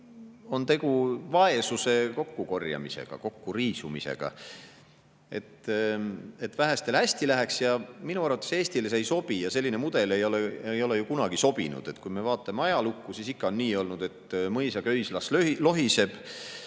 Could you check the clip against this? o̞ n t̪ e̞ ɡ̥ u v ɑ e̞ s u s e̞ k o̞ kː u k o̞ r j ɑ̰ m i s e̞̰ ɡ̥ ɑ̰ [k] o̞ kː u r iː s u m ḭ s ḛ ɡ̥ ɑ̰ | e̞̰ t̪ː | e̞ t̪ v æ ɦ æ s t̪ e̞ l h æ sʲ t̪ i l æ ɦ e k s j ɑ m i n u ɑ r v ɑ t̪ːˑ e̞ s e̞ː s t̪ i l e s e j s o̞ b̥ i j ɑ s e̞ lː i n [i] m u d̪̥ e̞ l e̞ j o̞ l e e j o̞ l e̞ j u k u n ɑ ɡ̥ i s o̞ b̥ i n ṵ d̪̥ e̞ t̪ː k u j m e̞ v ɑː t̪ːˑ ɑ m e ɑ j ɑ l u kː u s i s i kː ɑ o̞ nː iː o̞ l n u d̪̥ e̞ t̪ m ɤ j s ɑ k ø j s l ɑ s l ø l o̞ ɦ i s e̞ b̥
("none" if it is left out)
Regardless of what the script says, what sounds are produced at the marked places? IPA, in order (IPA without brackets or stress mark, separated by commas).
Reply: k, e